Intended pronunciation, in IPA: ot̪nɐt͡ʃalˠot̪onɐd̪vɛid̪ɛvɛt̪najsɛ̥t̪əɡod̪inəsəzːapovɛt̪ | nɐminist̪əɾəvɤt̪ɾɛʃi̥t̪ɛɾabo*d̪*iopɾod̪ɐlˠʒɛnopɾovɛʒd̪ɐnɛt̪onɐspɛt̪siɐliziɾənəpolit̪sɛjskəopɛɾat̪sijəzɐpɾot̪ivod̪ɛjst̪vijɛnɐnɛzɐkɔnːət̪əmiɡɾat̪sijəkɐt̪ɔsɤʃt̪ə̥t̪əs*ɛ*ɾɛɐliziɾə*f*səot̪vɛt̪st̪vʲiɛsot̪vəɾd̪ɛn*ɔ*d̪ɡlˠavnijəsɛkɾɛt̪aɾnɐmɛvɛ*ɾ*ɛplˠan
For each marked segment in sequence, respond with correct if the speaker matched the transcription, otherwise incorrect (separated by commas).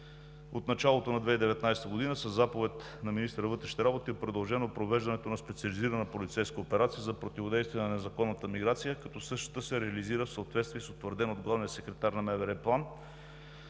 incorrect, correct, correct, incorrect, correct